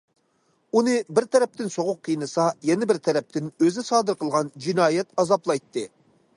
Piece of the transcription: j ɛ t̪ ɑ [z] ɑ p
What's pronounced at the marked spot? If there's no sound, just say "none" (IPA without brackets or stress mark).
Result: z